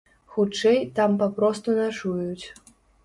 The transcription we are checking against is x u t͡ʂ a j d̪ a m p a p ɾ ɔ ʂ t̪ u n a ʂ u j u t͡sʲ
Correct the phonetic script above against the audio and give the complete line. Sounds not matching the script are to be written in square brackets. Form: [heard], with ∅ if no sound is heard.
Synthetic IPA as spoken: x u t͡ʂ [ɛ] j [t̪] a m p a p ɾ ɔ [s] t̪ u n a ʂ u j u t͡sʲ